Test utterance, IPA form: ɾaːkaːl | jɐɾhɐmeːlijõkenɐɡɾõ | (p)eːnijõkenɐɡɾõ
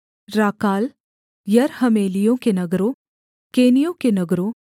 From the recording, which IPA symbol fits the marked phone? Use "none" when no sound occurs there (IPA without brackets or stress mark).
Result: k